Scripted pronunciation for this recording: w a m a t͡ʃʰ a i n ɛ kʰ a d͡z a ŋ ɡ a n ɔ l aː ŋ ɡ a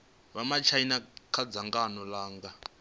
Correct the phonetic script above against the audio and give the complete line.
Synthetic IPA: β a m a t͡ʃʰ a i n a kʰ a d͡z a ŋ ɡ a n ɔ l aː ŋ ɡ a